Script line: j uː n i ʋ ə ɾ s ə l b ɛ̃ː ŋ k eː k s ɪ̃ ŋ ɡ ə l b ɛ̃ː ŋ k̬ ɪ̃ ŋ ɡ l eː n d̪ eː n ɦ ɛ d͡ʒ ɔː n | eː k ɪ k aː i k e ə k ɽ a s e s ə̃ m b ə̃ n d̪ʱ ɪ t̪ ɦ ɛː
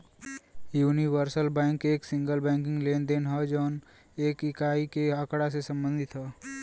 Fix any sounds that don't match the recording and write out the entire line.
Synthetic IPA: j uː n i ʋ ə ɾ s ə l b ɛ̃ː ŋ k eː k s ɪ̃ ŋ ɡ ə l b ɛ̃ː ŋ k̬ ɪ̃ ŋ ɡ l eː n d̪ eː n ɦ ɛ d͡ʒ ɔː n | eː k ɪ k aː i k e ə k ɽ a s e s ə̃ m b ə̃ n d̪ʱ ɪ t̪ ɦ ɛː